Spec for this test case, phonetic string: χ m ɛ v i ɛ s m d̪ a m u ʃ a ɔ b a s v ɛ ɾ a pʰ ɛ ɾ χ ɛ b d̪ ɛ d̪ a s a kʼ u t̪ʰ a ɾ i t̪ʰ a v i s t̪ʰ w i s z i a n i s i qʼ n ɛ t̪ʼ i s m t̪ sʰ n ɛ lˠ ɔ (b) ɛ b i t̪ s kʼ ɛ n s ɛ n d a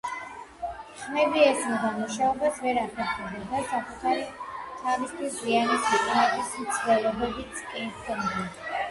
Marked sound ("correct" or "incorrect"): correct